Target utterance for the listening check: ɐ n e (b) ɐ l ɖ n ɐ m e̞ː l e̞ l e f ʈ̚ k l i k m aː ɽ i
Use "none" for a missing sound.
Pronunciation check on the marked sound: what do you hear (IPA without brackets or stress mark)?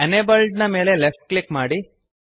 b